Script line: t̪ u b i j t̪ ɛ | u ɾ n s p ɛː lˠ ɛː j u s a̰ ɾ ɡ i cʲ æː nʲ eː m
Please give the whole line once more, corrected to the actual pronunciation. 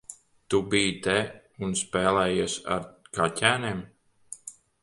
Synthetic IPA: t̪ u b i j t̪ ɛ | u n s p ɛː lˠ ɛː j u s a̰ ɾ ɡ a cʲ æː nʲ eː m